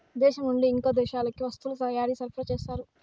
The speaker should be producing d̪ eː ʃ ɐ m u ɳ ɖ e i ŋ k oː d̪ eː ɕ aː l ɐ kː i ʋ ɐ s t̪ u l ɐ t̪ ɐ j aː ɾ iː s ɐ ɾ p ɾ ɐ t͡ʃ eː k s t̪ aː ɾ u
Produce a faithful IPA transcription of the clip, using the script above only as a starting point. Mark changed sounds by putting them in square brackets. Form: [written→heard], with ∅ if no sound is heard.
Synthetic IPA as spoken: d̪ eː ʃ ɐ m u ɳ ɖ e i ŋ k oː d̪ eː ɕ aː l ɐ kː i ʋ ɐ s t̪ u l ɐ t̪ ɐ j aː ɾ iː s ɐ ɾ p ɾ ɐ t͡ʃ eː [k→∅] s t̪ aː ɾ u